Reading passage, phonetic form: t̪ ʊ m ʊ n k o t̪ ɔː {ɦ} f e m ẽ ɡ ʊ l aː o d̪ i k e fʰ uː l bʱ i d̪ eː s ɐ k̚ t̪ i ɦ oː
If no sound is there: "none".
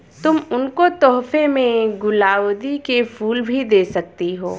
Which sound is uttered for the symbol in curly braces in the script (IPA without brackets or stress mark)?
ɦ